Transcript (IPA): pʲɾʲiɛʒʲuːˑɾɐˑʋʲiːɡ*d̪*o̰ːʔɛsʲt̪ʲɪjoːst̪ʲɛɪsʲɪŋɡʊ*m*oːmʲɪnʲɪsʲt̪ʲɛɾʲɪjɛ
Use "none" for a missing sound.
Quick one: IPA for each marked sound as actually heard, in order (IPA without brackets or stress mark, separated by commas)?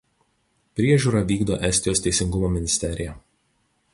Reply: d̪, m